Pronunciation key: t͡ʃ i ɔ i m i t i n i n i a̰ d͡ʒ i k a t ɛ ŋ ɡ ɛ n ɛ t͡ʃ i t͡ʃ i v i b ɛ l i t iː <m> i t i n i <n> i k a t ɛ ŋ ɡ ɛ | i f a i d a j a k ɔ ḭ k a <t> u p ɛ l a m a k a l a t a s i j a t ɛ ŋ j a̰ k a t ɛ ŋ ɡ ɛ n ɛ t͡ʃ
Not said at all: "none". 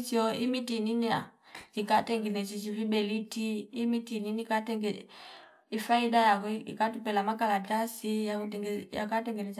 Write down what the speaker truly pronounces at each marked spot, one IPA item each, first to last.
m, n, t

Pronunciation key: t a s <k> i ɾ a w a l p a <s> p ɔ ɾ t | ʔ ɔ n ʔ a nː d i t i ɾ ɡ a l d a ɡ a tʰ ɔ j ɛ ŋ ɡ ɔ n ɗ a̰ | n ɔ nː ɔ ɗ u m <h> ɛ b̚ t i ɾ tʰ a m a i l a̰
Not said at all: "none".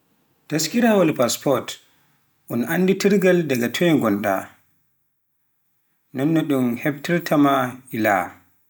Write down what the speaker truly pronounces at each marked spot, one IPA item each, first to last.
k, s, h

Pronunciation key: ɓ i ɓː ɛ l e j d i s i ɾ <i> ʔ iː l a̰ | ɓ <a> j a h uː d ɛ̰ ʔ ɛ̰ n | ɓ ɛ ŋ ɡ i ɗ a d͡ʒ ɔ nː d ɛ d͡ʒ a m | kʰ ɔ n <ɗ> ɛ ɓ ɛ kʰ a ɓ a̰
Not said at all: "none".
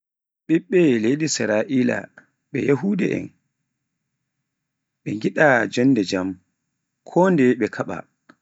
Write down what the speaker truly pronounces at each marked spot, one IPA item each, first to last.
a, ɛ, d

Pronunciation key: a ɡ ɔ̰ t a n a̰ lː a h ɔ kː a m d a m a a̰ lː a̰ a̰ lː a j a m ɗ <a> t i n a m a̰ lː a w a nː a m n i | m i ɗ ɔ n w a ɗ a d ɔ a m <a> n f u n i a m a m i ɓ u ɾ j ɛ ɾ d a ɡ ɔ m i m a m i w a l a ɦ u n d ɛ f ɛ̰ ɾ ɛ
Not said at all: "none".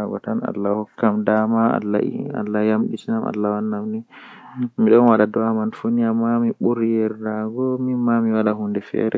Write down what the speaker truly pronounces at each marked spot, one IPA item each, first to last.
i, a

